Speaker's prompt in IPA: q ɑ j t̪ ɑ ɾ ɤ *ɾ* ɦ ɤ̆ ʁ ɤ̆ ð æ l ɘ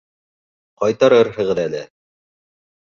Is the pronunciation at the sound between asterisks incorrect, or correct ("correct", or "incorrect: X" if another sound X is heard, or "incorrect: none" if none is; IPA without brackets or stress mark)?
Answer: correct